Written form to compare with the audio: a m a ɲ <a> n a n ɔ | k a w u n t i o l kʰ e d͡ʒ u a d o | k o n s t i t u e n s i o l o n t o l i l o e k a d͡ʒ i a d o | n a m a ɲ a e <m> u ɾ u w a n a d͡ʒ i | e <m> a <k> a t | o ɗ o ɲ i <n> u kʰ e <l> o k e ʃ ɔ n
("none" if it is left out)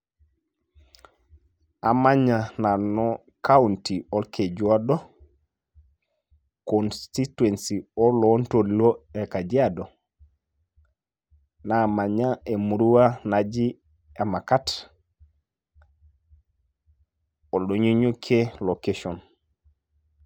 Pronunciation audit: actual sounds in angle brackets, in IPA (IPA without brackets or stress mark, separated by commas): a, m, m, k, ɲ, l